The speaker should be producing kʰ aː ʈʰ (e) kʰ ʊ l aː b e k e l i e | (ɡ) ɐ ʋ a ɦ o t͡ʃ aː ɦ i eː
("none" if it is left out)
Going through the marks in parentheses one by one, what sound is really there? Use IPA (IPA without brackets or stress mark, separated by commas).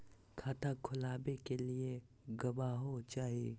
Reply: a, ɡ